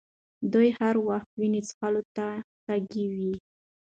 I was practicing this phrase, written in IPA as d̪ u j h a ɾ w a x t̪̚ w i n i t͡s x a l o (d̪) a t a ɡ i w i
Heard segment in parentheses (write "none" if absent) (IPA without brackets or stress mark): t̪